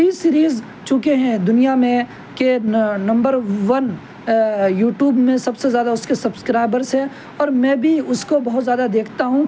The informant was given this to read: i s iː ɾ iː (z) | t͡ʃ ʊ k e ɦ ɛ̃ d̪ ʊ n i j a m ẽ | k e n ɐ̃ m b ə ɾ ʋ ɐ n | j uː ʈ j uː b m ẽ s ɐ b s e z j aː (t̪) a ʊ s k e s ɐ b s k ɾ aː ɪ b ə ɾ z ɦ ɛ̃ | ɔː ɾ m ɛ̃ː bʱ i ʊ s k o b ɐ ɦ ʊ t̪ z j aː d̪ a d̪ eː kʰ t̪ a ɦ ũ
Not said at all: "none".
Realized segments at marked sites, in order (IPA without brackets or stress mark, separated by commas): z, d̪